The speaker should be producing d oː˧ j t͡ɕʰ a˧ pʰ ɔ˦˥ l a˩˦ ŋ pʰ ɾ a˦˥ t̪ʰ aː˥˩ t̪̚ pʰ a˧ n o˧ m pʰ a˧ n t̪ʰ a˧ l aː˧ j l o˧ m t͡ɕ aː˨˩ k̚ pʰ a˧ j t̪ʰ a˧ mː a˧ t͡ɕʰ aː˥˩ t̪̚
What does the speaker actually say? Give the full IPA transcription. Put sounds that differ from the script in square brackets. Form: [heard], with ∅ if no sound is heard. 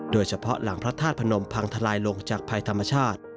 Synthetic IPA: d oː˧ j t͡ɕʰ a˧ pʰ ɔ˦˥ l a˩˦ ŋ pʰ ɾ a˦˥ t̪ʰ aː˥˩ t̪̚ pʰ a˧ n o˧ m pʰ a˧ [ŋ] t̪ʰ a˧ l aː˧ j l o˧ [ŋ] t͡ɕ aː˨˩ k̚ pʰ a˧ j t̪ʰ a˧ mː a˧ t͡ɕʰ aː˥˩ t̪̚

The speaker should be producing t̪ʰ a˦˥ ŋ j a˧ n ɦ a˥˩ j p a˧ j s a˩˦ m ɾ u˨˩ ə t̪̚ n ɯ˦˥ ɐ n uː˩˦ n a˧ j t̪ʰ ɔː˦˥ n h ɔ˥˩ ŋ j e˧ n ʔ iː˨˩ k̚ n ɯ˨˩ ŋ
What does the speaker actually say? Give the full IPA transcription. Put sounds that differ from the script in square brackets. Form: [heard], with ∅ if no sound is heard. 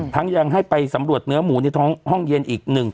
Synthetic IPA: t̪ʰ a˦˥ ŋ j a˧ [ŋ] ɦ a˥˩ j p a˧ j s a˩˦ m ɾ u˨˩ ə t̪̚ n ɯ˦˥ ɐ [m] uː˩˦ n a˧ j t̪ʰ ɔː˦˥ [ŋ] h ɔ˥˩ ŋ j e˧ n ʔ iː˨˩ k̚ n ɯ˨˩ ŋ

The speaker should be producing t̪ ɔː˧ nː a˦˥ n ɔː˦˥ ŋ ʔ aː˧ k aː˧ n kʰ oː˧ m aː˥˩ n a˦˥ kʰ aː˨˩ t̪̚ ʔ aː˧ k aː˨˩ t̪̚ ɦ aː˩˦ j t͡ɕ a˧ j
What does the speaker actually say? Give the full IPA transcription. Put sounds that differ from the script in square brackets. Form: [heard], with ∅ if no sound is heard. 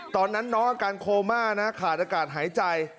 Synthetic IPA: t̪ ɔː˧ nː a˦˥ [nː] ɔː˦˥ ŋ ʔ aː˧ k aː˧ n kʰ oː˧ m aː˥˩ n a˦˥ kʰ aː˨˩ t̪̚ ʔ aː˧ k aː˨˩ t̪̚ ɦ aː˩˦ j t͡ɕ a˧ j

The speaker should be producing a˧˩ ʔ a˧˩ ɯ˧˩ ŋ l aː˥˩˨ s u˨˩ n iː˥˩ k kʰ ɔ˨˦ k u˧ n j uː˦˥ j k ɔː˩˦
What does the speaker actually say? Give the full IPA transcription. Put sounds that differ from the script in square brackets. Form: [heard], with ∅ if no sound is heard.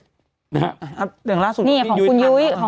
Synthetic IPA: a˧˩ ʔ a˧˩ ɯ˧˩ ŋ l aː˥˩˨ s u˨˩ n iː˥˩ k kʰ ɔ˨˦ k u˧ n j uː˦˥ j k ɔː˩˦

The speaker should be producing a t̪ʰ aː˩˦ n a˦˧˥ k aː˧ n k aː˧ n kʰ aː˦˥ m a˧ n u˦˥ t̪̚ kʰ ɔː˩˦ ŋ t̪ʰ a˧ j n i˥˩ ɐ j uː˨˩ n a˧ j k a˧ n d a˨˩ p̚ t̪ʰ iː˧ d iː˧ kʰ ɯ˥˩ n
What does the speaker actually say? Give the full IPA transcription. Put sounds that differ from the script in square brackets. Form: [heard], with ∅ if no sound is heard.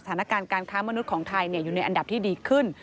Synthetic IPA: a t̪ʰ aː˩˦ n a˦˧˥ k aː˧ n k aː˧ n kʰ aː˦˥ m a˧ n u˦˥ t̪̚ kʰ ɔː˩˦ ŋ t̪ʰ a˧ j n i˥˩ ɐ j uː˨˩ n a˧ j [ʔ] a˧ n d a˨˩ p̚ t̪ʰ [iː˥˩] d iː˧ kʰ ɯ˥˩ n

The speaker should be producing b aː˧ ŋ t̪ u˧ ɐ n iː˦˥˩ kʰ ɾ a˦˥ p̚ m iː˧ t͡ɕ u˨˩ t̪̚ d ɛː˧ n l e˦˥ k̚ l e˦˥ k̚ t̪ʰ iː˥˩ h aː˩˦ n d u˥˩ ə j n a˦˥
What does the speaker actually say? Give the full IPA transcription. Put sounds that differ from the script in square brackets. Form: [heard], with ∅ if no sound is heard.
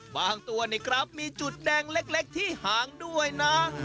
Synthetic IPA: b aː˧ ŋ t̪ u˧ ɐ n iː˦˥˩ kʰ ɾ a˦˥ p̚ m iː˧ t͡ɕ u˨˩ t̪̚ d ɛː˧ [ŋ] l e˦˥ k̚ l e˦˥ k̚ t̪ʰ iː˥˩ h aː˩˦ [ŋ] d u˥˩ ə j n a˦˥

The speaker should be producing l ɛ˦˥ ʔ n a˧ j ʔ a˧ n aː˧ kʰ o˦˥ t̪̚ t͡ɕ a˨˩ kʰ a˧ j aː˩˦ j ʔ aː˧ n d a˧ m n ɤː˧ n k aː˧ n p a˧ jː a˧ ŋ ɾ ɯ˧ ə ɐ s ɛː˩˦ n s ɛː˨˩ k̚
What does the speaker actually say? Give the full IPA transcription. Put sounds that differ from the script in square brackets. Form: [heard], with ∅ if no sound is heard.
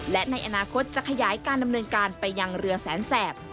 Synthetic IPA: l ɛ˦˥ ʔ n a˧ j ʔ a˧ n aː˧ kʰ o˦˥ t̪̚ t͡ɕ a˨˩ kʰ a˧ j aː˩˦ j [k] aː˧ n d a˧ m n ɤː˧ n k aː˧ n p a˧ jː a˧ ŋ ɾ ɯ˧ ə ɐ s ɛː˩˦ n s ɛː˨˩ [p̚]

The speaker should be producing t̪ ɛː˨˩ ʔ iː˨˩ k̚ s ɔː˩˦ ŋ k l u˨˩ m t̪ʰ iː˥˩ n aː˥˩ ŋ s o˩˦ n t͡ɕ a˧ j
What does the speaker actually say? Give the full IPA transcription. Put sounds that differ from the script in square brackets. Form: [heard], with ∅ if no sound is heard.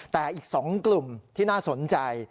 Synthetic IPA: t̪ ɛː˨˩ ʔ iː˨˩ k̚ s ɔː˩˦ ŋ k l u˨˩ m t̪ʰ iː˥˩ n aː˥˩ [∅] s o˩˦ n t͡ɕ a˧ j

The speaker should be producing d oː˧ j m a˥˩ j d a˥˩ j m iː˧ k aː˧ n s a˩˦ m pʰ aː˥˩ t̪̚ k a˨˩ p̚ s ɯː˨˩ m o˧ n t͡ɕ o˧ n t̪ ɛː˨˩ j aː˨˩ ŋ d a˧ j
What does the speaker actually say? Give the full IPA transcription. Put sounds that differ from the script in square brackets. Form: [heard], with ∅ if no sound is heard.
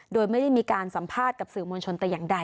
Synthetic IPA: d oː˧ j m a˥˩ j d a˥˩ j m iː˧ k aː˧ n s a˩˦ m pʰ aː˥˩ t̪̚ k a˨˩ p̚ s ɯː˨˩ m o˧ n [t͡ɕʰ] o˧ n t̪ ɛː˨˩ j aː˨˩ ŋ d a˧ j

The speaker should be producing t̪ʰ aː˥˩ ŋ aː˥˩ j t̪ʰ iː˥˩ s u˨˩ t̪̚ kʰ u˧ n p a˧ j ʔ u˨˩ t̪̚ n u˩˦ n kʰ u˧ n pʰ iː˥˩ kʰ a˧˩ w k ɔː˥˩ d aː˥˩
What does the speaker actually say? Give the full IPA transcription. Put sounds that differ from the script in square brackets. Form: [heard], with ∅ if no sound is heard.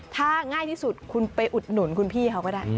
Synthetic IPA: t̪ʰ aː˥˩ ŋ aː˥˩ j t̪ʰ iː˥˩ s u˨˩ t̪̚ kʰ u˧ n p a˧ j ʔ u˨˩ t̪̚ n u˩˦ n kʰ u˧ n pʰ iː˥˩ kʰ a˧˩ w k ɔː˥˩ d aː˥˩

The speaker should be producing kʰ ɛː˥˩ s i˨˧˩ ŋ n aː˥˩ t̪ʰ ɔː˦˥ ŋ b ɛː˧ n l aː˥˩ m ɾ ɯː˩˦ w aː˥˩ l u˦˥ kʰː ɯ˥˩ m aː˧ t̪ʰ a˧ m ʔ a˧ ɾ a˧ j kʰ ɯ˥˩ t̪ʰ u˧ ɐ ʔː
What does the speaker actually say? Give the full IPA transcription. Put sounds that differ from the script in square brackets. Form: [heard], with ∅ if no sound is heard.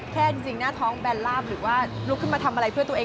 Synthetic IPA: kʰ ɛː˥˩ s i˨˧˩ ŋ n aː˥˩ t̪ʰ ɔː˦˥ ŋ b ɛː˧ n l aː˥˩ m ɾ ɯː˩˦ w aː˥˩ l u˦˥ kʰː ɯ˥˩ m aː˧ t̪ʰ a˧ m ʔ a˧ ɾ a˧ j [pʰ] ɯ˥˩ [t̪] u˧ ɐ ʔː

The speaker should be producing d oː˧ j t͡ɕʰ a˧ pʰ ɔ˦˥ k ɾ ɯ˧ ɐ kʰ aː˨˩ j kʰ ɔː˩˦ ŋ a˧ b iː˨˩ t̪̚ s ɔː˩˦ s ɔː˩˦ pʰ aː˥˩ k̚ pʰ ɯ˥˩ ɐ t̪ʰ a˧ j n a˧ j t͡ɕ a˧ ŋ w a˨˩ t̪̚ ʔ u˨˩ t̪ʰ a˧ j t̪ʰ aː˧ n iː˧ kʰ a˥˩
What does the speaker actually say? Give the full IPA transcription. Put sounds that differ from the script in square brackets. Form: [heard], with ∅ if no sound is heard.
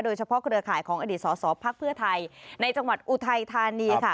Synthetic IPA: d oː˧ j t͡ɕʰ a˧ pʰ ɔ˦˥ k ɾ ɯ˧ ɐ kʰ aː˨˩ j kʰ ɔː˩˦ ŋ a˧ [d] iː˨˩ t̪̚ s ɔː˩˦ s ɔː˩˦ pʰ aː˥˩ k̚ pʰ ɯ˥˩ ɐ t̪ʰ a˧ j n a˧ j t͡ɕ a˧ ŋ w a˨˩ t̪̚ ʔ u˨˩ t̪ʰ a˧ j t̪ʰ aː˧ n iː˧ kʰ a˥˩

